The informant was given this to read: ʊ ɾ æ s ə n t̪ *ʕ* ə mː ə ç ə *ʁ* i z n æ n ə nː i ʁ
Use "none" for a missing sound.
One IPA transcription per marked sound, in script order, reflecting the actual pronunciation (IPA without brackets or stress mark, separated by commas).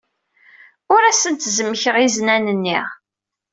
z, ʁ